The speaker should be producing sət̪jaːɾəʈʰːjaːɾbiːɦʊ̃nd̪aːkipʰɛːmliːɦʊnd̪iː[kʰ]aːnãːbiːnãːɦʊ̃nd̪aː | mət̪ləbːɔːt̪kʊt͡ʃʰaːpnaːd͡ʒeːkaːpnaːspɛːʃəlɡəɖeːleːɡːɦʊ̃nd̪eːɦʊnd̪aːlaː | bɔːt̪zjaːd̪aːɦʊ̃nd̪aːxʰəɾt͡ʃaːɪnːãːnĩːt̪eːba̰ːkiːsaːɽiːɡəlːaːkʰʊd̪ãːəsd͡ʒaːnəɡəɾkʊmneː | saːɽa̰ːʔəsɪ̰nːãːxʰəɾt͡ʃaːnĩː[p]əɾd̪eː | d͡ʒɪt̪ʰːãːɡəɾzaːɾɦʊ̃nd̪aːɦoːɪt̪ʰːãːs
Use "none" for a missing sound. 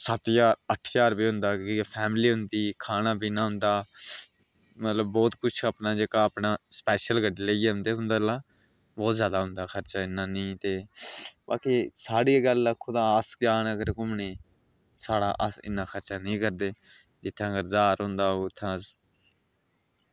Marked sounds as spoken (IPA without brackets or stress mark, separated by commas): kʰ, k